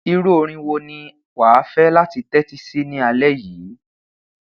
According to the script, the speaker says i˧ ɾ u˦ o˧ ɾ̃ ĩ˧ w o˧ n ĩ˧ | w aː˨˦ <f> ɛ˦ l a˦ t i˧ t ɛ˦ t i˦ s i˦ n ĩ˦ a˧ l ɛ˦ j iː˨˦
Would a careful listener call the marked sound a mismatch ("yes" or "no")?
no